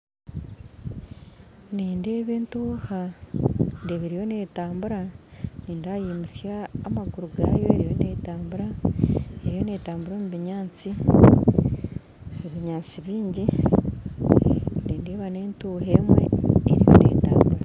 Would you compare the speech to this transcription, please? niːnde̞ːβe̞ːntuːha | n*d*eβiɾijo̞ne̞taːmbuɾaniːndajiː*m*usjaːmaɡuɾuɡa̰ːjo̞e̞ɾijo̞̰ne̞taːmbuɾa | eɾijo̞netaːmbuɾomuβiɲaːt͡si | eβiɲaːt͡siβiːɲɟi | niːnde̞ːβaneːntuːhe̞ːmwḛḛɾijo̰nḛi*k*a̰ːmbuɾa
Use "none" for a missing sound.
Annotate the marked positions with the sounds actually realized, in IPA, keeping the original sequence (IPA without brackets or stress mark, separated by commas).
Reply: d, m, t